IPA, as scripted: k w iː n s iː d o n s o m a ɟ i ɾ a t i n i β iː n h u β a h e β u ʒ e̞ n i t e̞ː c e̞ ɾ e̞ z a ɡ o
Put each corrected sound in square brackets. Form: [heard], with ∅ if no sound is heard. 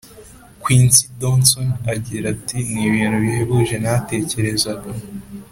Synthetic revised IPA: k w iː n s [i] d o n s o [n] a ɟ i ɾ a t i n i β iː n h u β [i] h e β u ʒ e̞ n [a] t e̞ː c e̞ ɾ e̞ z a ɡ o